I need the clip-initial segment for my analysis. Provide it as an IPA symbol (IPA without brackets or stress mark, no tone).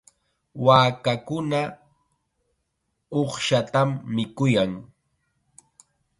w